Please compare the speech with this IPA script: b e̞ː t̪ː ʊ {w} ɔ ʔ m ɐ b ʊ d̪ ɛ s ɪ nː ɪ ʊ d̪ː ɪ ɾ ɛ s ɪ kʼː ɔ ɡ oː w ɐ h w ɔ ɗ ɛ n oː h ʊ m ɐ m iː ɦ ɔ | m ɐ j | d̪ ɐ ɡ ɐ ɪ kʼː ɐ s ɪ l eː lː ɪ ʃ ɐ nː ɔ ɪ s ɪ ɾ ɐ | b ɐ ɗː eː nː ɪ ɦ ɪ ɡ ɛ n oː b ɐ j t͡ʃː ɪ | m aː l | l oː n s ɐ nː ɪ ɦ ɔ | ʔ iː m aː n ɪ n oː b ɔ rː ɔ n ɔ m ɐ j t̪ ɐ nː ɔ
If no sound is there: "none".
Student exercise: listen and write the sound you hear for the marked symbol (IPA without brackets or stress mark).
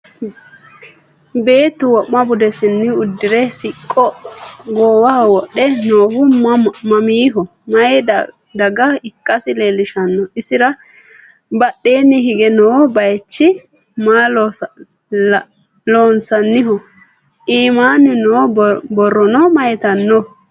w